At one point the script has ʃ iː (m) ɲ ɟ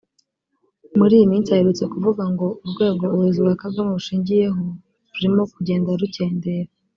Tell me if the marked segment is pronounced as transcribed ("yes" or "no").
no